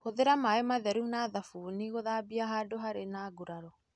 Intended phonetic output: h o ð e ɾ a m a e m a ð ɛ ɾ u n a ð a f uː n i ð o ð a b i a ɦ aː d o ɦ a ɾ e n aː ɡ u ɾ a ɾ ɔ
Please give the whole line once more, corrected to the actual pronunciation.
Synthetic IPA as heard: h o ð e ɾ a m a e m a ð ɛ ɾ u n a ð a f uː n i ɣ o ð a b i a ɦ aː d o ɦ a ɾ e n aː ɡ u ɾ a ɾ ɔ